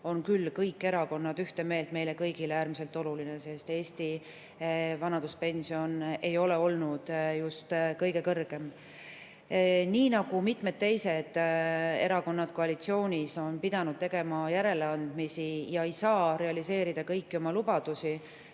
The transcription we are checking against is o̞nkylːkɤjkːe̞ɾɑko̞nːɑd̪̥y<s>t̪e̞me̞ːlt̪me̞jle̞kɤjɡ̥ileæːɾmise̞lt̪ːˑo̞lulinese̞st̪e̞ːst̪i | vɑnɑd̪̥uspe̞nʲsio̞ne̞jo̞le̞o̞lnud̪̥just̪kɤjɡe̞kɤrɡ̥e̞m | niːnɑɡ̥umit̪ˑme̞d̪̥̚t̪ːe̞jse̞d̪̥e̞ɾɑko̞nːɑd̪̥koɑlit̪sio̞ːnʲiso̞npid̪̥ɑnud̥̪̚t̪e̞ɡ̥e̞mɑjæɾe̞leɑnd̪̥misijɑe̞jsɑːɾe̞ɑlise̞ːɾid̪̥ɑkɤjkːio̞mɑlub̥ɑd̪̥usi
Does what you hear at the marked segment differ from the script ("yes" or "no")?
yes